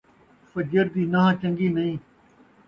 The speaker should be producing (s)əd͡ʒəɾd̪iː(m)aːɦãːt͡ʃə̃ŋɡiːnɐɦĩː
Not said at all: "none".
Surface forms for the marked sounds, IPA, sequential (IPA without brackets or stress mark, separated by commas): f, n